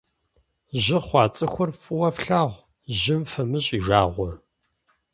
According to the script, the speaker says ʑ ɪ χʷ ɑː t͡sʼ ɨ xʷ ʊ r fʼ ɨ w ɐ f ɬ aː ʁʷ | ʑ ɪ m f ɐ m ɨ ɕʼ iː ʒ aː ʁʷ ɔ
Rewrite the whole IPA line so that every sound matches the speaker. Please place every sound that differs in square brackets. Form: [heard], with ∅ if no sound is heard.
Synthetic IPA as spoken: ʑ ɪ χʷ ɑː t͡sʼ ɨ xʷ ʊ r fʼ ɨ w ɐ f ɬ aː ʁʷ | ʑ ɪ m f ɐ m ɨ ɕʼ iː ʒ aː ʁʷ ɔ